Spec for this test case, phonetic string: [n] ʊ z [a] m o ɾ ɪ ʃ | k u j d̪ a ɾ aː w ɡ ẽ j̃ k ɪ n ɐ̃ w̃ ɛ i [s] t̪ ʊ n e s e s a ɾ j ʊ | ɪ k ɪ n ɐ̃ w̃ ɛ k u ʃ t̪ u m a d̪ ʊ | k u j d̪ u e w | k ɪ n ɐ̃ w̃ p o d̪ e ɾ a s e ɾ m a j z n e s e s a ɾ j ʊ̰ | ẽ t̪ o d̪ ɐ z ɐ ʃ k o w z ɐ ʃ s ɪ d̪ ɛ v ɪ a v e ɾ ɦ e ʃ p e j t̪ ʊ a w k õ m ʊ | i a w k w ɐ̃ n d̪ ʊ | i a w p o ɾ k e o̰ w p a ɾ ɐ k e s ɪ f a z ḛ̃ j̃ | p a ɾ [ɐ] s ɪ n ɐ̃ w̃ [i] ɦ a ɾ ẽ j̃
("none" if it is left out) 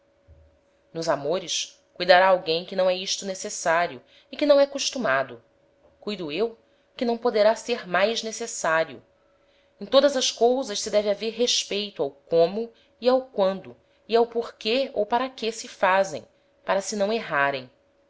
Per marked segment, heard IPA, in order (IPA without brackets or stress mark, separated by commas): n, a, ʃ, ɐ, e